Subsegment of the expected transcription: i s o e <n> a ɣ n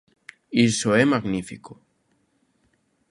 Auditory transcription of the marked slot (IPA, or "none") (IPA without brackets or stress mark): m